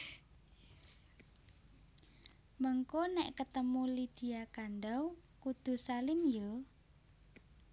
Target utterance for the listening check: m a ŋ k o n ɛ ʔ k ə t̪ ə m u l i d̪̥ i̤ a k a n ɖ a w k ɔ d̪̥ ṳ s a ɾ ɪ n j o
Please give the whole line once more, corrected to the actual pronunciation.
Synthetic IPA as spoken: m ə ŋ k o n ɛ ʔ k ə t̪ ə m u l i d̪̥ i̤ a k a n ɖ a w k u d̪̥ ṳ s a l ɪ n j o